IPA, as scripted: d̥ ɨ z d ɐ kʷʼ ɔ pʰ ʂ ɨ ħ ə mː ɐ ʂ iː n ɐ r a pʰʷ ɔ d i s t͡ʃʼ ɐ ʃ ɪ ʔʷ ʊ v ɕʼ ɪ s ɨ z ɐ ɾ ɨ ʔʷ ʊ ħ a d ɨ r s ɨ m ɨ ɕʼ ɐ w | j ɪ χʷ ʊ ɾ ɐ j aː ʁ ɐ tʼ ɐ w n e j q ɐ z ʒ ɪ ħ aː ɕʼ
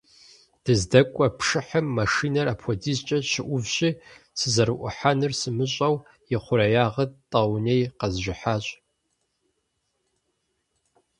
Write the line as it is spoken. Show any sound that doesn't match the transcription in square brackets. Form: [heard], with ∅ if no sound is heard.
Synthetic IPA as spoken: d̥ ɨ z d ɐ kʷʼ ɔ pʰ ʂ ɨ ħ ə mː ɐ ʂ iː n ɐ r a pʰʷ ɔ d i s t͡ʃʼ ɐ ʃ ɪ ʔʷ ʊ v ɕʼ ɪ s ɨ z ɐ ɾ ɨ ʔʷ ʊ ħ a [n] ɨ r s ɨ m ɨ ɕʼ ɐ w | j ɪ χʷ ʊ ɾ ɐ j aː ʁ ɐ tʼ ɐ w n e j q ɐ z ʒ ɪ ħ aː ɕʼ